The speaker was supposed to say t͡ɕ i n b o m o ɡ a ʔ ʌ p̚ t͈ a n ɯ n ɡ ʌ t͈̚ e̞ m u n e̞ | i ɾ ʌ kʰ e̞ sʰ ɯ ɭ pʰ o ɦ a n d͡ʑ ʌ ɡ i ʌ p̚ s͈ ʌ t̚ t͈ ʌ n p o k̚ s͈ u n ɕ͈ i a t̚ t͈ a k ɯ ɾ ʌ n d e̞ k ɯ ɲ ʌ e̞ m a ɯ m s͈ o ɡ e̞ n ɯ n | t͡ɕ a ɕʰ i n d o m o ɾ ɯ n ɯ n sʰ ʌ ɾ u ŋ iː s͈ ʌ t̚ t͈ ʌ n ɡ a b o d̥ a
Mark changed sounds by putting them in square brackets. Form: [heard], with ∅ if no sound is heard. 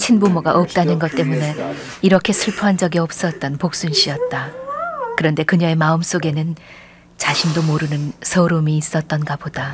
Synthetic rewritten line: [t͡ɕʰ] i n b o m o ɡ a ʔ ʌ p̚ t͈ a n ɯ n ɡ ʌ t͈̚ e̞ m u n e̞ | i ɾ ʌ kʰ e̞ sʰ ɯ ɭ pʰ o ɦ a n d͡ʑ ʌ ɡ i ʌ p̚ s͈ ʌ t̚ t͈ ʌ n p o k̚ s͈ u n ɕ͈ i [ʌ] t̚ t͈ a k ɯ ɾ ʌ n d e̞ k ɯ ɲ ʌ e̞ m a ɯ m s͈ o ɡ e̞ n ɯ n | t͡ɕ a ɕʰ i n d o m o ɾ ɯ n ɯ n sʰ ʌ ɾ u [m] iː s͈ ʌ t̚ t͈ ʌ n ɡ a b o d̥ a